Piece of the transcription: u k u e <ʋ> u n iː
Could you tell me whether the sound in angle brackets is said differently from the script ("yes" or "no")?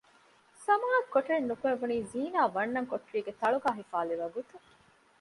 no